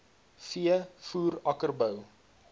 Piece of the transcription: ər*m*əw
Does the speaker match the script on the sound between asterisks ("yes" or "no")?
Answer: no